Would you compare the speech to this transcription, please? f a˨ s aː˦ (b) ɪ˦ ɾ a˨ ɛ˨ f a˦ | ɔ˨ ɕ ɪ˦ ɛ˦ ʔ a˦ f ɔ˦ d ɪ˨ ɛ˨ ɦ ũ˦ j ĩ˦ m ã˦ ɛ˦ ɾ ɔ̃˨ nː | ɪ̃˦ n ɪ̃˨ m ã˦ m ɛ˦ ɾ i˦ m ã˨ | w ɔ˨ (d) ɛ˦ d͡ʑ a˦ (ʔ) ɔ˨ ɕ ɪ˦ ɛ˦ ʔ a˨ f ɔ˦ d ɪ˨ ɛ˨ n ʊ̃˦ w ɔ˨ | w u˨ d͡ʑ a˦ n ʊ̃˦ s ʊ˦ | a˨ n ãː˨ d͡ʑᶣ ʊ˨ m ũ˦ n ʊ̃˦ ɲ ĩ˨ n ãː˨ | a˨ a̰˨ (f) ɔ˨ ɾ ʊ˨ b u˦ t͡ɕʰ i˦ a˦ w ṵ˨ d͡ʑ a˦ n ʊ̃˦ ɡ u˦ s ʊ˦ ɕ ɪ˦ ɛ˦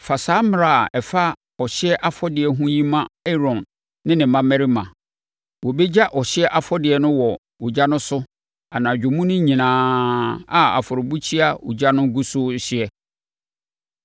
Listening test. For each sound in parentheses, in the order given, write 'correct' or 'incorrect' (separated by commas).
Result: incorrect, incorrect, correct, correct